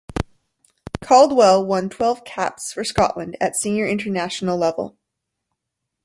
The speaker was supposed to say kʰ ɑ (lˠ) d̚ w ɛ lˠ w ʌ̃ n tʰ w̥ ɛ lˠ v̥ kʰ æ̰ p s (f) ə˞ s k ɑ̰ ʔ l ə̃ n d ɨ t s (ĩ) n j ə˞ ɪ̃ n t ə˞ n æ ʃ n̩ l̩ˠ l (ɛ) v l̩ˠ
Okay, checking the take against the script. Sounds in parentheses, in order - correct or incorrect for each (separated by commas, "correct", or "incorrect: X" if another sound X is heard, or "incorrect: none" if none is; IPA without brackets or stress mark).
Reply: correct, correct, correct, correct